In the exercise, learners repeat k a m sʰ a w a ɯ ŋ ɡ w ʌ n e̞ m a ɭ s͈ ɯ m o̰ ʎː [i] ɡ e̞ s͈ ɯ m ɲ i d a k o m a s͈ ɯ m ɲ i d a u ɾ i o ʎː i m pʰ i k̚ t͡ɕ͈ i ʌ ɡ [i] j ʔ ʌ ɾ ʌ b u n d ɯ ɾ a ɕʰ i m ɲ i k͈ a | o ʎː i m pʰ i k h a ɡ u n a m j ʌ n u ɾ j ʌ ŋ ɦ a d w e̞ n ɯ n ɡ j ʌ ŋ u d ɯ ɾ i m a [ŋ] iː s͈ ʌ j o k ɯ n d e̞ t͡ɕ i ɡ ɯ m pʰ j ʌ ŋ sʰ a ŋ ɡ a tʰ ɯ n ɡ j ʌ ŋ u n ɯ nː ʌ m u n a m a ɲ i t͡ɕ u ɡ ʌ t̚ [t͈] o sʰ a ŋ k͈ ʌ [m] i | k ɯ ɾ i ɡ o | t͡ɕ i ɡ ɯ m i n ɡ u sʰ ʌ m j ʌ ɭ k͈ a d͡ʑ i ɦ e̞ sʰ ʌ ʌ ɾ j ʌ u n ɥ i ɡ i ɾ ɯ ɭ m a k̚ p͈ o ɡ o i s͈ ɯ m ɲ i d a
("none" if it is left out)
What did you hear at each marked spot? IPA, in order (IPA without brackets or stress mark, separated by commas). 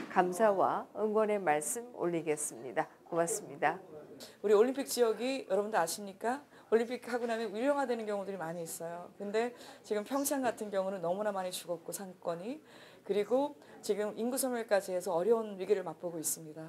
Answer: i, i, ɲ, k͈, ɲ